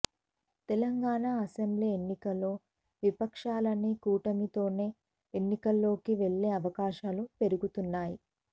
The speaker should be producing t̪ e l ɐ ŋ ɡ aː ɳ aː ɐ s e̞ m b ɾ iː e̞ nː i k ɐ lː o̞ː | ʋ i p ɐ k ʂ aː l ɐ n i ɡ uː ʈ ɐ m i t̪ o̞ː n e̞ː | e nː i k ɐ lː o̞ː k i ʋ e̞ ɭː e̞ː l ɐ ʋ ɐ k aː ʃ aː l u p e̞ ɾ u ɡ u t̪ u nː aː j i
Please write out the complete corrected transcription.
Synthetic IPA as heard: t̪ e l ɐ ŋ ɡ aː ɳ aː ɐ s e̞ m b l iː e̞ nː i k ɐ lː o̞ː | ʋ i p ɐ k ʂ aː l ɐ n i k uː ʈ ɐ m i t̪ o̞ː n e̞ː | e nː i k ɐ lː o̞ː k i ʋ e̞ ɭː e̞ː ɐ ʋ ɐ k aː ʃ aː l u p e̞ ɾ u ɡ u t̪ u nː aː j i

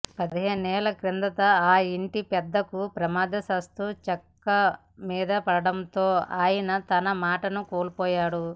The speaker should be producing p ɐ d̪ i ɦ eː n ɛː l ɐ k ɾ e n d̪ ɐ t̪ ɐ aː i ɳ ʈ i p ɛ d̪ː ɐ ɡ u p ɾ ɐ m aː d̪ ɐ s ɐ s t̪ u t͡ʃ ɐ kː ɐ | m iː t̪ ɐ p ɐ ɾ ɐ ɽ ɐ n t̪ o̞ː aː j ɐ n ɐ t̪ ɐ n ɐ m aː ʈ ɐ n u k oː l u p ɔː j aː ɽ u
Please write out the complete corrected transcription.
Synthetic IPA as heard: p ɐ d̪ i ɦ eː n ɛː l ɐ k ɾ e n d̪ ɐ t̪ ɐ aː i ɳ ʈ i p ɛ d̪ː ɐ k u p ɾ ɐ m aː d̪ ɐ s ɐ s t̪ u t͡ʃ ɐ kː ɐ | m iː d̪ ɐ p ɐ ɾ ɐ ɽ ɐ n t̪ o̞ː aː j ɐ n ɐ t̪ ɐ n ɐ m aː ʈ ɐ n u k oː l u p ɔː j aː ɽ u

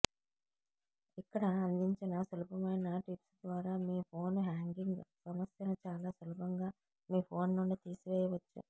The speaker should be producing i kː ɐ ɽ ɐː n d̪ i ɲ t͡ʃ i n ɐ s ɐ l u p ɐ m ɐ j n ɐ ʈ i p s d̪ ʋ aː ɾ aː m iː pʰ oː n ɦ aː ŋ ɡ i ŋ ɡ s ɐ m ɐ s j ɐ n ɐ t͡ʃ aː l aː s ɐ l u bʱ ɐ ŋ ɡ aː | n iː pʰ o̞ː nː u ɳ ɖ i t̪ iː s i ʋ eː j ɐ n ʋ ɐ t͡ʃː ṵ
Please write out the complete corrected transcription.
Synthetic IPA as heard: i kː ɐ ɽ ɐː n d̪ i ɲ t͡ʃ i n ɐ s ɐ l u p ɐ m ɐ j n ɐ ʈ i p s d̪ ʋ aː ɾ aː m iː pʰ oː n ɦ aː ŋ ɡ i ŋ ɡ s ɐ m ɐ s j ɐ n ɐ t͡ʃ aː l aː s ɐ l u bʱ ɐ ŋ ɡ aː | m iː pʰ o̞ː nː u ɳ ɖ i t̪ iː s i ʋ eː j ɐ ʋ ɐ t͡ʃː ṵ

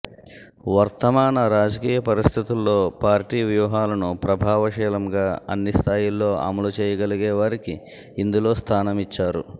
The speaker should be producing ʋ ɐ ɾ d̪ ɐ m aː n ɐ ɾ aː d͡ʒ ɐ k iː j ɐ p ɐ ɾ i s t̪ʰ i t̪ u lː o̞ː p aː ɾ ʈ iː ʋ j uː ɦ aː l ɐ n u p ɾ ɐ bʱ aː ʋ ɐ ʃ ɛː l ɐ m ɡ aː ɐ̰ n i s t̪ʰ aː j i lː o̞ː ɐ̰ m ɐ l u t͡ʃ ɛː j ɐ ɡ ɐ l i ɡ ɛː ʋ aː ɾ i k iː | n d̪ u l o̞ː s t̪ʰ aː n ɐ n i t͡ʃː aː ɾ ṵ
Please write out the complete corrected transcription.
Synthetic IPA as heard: ʋ ɐ ɾ t̪ ɐ m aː n ɐ ɾ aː d͡ʒ ɐ k iː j ɐ p ɐ ɾ i s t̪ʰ i t̪ u lː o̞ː p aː ɾ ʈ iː ʋ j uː ɦ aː l ɐ n u p ɾ ɐ bʱ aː ʋ ɐ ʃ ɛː l ɐ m ɡ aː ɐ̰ nː i s t̪ʰ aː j i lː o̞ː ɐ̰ m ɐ l u t͡ʃ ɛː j ɐ ɡ ɐ l i ɡ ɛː ʋ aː ɾ i k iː | n d̪ u l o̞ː s t̪ʰ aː n ɐ m i t͡ʃː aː ɾ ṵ

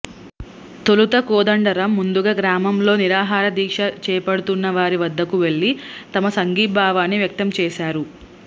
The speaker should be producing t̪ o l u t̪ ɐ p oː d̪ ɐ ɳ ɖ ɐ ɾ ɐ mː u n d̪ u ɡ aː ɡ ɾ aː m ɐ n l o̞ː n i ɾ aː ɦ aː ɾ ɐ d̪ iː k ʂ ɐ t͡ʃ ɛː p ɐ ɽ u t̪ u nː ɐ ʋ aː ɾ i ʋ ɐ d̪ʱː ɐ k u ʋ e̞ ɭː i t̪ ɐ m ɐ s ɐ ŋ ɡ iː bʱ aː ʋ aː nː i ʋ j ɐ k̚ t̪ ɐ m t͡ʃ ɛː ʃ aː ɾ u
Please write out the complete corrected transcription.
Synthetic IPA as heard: t̪ o l u t̪ ɐ k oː d̪ ɐ ɳ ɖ ɐ ɾ ɐ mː u n d̪ u ɡ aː ɡ ɾ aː m ɐ m l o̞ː n i ɾ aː ɦ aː ɾ ɐ d̪ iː k ʂ ɐ t͡ʃ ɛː p ɐ ɽ u t̪ u nː ɐ ʋ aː ɾ i ʋ ɐ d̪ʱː ɐ k u ʋ e̞ ɭː i t̪ ɐ m ɐ s ɐ ŋ ɡ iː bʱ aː ʋ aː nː i ʋ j ɐ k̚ t̪ ɐ m t͡ʃ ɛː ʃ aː ɾ u

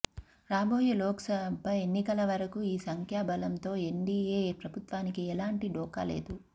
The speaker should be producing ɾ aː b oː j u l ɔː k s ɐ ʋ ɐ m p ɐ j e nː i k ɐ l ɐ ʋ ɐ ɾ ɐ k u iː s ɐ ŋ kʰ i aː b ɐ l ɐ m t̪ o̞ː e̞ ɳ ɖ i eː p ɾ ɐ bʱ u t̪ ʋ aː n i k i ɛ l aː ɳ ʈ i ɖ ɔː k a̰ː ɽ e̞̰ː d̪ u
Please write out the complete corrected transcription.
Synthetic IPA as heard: ɾ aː b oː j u l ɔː k s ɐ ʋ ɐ m p ɐ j e nː i k ɐ l ɐ ʋ ɐ ɾ ɐ k u iː s ɐ ŋ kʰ j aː b ɐ l ɐ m t̪ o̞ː e̞ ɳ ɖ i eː p ɾ ɐ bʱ u t̪ ʋ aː n i k i ɛ l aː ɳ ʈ i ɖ ɔː k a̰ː l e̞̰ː d̪ u

